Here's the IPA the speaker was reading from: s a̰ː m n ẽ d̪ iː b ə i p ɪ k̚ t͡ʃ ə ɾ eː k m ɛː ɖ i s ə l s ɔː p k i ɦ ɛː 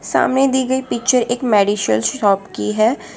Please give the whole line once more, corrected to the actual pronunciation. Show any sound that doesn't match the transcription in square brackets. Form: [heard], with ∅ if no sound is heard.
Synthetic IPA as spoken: s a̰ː m n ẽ d̪ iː [ɡ] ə i p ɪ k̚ t͡ʃ ə ɾ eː k m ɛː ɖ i [ʃ] ə l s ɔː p k i ɦ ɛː